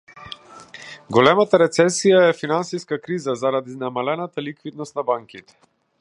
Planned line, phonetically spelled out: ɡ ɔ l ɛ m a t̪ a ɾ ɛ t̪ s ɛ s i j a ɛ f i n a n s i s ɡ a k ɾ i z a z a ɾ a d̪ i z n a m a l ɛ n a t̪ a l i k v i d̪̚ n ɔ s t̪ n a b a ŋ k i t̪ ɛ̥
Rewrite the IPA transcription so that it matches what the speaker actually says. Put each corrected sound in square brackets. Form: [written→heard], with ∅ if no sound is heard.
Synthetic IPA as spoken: ɡ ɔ l ɛ m a t̪ a ɾ ɛ t̪ s ɛ s i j a ɛ f i n a n s i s [ɡ→k] a k ɾ i z a z a ɾ a d̪ i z n a m a l ɛ n a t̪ a l i k v i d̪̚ n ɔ s t̪ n a b a ŋ k i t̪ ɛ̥